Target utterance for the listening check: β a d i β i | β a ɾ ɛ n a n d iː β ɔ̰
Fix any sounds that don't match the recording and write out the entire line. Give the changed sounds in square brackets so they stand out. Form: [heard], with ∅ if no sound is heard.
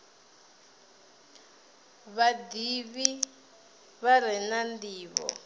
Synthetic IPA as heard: β a d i β i | β a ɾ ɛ n a n d iː β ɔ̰